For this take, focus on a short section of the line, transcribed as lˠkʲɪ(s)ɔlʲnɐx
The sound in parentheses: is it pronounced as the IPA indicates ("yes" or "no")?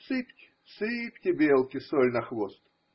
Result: yes